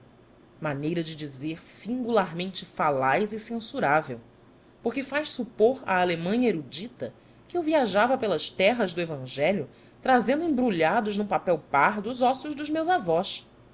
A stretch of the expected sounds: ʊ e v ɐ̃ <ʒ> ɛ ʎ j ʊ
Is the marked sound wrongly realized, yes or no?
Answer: no